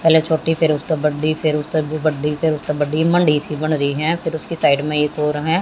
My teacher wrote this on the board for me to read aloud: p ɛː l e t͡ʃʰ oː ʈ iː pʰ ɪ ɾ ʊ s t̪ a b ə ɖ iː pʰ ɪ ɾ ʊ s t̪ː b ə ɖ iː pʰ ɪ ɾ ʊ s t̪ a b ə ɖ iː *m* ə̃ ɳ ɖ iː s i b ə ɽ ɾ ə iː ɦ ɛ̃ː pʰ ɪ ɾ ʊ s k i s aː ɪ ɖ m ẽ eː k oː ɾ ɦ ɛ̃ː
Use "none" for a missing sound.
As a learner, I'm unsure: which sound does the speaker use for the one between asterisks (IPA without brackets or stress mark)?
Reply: m